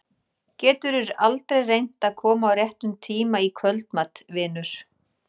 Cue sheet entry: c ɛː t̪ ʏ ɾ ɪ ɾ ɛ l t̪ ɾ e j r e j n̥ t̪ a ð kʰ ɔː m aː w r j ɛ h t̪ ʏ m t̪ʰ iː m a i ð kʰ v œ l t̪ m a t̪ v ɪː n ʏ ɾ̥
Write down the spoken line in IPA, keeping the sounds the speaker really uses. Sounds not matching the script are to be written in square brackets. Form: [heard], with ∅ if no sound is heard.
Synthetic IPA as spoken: c ɛː t̪ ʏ ɾ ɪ ɾ [a] l t̪ ɾ e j r e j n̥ t̪ a ð kʰ ɔː m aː w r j ɛ h t̪ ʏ m t̪ʰ iː m a i [∅] kʰ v œ l t̪ m a t̪ v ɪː n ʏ ɾ̥